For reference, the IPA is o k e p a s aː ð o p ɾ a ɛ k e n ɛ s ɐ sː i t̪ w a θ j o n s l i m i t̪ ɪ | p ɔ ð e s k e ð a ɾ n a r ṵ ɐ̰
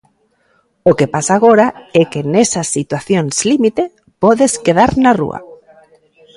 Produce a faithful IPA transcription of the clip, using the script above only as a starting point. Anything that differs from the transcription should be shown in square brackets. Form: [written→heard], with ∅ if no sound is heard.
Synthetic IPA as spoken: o k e p a s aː [ð→ɣ] o [p→∅] ɾ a ɛ k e n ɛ s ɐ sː i t̪ w a θ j o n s l i m i t̪ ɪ | p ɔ ð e s k e ð a ɾ n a r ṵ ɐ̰